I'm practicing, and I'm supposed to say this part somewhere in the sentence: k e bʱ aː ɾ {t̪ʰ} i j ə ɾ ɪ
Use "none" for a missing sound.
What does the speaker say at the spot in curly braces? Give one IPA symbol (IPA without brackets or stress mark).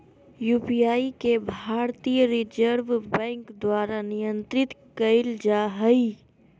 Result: t̪